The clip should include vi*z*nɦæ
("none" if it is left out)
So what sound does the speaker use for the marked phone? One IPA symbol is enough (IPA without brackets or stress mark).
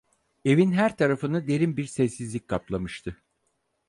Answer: none